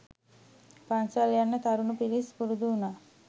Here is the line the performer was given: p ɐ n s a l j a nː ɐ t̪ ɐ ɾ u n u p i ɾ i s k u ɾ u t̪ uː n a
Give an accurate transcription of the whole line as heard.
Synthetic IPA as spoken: p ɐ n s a l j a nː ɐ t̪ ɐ ɾ u n u p i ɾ i s p u ɾ u d̪ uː n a